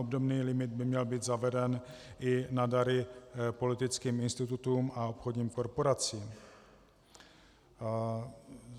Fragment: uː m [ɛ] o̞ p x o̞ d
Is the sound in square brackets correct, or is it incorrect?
incorrect: a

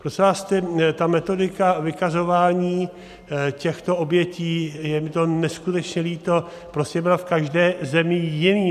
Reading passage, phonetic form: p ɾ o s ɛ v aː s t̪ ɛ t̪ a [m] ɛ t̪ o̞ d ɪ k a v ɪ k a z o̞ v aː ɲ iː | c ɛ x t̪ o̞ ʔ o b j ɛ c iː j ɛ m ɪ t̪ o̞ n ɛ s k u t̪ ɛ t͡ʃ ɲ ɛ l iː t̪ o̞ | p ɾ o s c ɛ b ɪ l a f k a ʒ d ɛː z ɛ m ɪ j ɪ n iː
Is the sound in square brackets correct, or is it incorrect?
correct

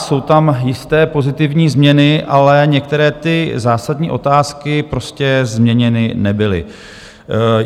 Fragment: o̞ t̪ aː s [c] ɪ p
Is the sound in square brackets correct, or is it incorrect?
incorrect: k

